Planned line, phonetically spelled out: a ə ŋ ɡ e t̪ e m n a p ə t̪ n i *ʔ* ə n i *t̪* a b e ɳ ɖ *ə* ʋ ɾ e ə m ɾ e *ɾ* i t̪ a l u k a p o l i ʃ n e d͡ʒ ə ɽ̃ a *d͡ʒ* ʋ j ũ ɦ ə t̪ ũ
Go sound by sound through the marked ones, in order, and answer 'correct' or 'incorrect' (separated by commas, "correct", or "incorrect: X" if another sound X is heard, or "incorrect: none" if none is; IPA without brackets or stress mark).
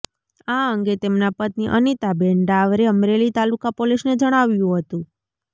correct, correct, incorrect: a, incorrect: l, incorrect: none